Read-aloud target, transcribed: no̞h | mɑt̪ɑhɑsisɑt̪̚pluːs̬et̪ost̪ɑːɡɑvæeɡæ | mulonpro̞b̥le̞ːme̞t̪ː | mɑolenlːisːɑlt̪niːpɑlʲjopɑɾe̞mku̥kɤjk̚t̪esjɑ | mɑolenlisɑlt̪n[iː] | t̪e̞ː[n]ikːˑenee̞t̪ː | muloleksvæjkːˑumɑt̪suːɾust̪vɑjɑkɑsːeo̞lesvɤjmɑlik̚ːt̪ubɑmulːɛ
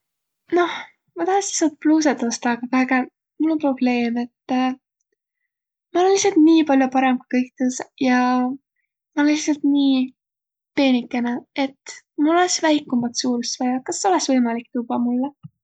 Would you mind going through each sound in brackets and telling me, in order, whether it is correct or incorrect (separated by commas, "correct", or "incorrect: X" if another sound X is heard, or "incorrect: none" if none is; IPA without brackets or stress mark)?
correct, correct